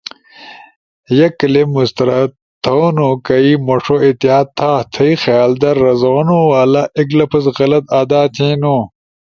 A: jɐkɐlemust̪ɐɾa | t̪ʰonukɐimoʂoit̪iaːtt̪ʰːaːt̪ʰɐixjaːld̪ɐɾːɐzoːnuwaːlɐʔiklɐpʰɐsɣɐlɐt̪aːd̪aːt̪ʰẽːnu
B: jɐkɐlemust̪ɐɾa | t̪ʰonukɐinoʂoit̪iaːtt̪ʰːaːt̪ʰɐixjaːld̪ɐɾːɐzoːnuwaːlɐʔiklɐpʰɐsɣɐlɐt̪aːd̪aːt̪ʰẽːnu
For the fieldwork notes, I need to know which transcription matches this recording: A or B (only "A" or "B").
A